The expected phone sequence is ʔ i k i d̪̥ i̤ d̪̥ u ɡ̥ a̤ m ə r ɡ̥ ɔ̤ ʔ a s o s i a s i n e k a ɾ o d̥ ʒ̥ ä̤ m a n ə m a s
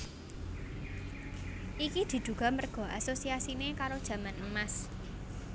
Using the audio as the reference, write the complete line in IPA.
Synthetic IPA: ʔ i k i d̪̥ i̤ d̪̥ u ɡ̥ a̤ m ə r ɡ̥ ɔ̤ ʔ a s o s i a s i n e k a ɾ o d̥ ʒ̥ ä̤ m a n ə m a s